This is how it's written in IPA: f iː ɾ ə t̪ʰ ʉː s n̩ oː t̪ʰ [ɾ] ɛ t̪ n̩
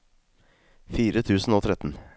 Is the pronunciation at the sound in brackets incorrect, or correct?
correct